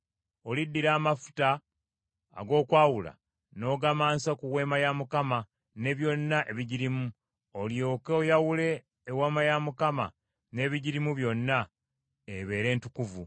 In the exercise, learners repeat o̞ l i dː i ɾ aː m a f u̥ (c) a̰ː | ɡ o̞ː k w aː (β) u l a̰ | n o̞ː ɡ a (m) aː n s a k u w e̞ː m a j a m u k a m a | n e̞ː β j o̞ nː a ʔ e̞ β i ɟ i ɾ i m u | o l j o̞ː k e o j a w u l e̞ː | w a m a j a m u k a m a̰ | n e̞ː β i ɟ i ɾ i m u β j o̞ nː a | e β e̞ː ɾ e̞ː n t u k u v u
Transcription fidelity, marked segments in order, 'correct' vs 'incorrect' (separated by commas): incorrect, incorrect, correct